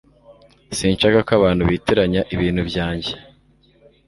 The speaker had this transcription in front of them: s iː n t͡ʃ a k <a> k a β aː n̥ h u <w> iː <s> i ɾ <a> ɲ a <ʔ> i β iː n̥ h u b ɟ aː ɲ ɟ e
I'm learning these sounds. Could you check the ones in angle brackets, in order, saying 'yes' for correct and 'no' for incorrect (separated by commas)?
yes, no, no, yes, yes